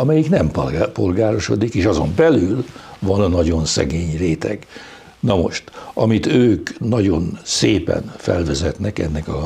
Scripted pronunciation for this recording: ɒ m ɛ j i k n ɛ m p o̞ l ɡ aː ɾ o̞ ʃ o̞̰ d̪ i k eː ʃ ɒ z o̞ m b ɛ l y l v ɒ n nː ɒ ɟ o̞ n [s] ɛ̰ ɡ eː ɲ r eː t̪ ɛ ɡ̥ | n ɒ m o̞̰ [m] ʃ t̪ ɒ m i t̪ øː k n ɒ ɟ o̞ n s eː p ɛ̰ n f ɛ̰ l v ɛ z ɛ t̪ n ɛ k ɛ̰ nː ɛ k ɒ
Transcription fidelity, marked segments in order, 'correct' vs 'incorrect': correct, incorrect: none

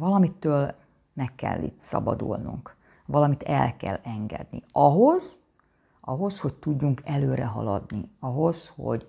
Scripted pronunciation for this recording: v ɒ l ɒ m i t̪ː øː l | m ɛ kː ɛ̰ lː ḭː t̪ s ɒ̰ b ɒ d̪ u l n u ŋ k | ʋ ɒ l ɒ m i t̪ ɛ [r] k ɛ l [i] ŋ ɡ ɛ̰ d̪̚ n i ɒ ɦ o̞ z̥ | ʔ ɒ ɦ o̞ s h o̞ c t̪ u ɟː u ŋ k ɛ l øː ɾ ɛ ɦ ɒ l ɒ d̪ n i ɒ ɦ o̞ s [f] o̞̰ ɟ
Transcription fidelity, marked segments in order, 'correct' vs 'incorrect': incorrect: l, incorrect: ɛ, incorrect: h

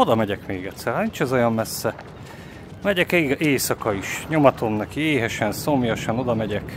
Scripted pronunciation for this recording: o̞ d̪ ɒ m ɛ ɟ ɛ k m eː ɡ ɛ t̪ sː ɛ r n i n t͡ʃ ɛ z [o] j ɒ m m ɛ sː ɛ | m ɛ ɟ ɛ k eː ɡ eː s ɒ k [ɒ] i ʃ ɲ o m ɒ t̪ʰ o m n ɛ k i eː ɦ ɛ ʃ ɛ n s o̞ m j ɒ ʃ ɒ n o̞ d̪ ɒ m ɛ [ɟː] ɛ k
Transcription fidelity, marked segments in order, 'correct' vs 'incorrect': correct, correct, incorrect: ɟ

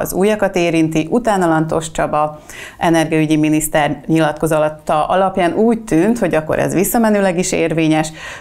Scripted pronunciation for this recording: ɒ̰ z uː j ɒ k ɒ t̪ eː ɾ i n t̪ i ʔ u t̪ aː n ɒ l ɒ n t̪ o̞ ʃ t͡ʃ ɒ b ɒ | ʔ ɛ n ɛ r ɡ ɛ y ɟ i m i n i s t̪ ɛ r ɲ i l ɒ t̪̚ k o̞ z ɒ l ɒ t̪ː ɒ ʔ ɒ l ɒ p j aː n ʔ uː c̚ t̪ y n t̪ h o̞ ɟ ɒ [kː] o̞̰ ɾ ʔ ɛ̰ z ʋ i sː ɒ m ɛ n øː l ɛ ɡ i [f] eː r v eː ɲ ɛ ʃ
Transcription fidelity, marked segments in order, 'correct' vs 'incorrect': correct, incorrect: ʃ

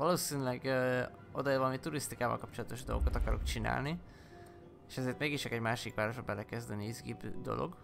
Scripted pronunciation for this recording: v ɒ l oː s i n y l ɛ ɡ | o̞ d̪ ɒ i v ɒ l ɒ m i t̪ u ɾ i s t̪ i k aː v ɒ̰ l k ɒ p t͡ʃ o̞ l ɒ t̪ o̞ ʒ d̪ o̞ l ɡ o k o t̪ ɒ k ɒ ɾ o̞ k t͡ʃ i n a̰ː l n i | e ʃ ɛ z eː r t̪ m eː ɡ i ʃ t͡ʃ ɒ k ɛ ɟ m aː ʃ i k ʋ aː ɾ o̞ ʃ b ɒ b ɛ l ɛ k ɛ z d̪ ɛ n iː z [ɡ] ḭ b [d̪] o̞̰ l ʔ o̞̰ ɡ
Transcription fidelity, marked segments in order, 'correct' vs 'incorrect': correct, correct

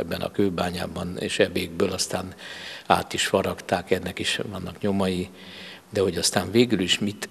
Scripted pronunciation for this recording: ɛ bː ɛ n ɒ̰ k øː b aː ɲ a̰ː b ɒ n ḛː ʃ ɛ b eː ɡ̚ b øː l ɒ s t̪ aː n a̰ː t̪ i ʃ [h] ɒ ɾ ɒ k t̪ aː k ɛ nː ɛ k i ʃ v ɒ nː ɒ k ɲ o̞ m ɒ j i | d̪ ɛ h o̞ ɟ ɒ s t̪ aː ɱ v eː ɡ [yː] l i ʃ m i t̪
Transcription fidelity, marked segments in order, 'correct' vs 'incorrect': incorrect: f, incorrect: y

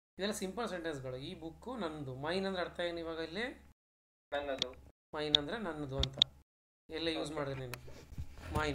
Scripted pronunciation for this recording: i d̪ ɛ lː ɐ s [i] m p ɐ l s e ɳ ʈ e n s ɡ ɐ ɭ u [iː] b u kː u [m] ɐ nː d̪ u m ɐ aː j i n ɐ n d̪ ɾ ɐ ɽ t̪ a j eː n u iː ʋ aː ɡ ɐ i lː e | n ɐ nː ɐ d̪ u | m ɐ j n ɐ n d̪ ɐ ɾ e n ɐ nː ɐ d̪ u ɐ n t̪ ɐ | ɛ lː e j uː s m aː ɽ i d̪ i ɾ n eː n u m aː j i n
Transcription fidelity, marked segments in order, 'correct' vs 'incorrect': correct, correct, incorrect: n

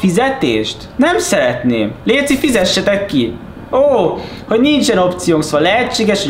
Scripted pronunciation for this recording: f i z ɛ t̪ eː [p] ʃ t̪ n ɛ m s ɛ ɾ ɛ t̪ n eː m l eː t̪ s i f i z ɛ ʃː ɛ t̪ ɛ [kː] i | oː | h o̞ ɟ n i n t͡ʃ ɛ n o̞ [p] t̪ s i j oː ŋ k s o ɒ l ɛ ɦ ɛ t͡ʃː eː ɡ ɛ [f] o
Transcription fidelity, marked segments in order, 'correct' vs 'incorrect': incorrect: none, correct, correct, incorrect: ʃ

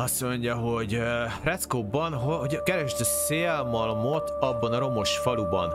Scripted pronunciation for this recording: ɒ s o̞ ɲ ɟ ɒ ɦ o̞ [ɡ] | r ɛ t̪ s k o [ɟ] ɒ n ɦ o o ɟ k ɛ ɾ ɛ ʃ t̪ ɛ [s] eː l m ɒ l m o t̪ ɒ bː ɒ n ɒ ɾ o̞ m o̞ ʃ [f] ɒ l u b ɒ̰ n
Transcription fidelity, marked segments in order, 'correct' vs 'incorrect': incorrect: ɟ, incorrect: b, correct, correct

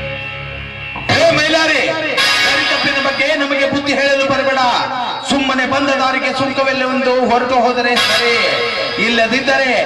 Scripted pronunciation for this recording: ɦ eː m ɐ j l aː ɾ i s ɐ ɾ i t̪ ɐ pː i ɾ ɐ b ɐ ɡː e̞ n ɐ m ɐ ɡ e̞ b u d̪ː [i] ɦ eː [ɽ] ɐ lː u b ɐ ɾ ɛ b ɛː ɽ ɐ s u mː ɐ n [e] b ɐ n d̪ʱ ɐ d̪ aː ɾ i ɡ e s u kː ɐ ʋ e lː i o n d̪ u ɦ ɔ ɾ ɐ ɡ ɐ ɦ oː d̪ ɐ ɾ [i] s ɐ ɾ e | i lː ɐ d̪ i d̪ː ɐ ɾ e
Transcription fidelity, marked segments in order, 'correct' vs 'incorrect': correct, incorrect: ɭ, correct, incorrect: e

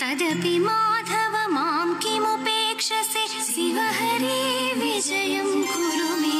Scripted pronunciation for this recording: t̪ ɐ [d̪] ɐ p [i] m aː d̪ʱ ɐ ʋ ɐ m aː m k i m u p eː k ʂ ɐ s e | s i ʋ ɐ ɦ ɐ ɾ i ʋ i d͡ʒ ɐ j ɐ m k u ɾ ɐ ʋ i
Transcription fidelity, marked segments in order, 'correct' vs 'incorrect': correct, correct

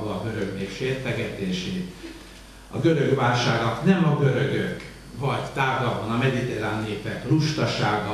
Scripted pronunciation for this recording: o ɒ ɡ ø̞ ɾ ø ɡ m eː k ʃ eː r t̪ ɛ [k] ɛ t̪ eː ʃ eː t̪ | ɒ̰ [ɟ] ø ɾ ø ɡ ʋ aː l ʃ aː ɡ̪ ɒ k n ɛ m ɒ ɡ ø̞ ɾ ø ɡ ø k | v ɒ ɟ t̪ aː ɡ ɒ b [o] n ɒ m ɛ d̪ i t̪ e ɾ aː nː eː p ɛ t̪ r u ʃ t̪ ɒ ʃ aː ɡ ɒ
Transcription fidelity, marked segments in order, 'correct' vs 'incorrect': incorrect: ɡ, incorrect: ɡ, incorrect: ɒ

